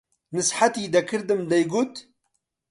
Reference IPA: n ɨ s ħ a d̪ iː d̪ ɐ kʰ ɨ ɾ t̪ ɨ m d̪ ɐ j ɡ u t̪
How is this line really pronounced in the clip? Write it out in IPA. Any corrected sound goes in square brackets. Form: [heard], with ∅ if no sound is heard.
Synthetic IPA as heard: n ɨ s ħ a [t̪] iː d̪ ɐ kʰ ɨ ɾ [d̪] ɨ m d̪ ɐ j ɡ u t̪